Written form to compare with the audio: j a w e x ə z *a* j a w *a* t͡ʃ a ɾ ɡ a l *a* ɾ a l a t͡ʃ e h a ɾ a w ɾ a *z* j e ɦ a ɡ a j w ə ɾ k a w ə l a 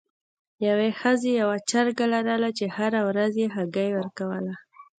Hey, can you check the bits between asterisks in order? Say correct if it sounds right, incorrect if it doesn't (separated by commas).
incorrect, correct, correct, correct